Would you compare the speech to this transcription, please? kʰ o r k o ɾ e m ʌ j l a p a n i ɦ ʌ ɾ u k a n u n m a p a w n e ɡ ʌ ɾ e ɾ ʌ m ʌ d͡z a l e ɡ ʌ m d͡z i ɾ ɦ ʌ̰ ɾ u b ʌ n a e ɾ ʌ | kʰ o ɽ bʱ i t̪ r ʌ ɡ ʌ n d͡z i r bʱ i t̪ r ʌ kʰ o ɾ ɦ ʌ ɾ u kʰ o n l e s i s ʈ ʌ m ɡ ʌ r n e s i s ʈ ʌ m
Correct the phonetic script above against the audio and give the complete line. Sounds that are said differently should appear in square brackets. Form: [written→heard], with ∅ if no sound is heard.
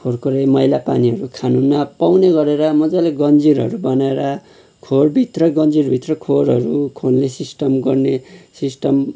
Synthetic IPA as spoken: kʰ o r k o ɾ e m ʌ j l a p a n i ɦ ʌ ɾ u [k→kʰ] a n u n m a p a w n e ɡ ʌ ɾ e ɾ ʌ m ʌ d͡z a l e ɡ ʌ [m→n] d͡z i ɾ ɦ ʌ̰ ɾ u b ʌ n a e ɾ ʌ | kʰ o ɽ bʱ i t̪ r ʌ ɡ ʌ n d͡z i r bʱ i t̪ r ʌ kʰ o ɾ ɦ ʌ ɾ u kʰ o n l e s i s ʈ ʌ m ɡ ʌ r n e s i s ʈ ʌ m